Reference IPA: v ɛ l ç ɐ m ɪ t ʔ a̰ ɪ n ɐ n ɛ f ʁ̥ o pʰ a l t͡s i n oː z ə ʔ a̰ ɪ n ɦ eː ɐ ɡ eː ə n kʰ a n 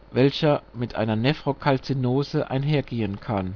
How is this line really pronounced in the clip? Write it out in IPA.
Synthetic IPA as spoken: v ɛ l ç ɐ m ɪ t ʔ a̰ ɪ n ɐ n ɛ f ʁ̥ o kʰ a l t͡s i n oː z ə ʔ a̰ ɪ n ɦ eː ɐ ɡ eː ə n kʰ a n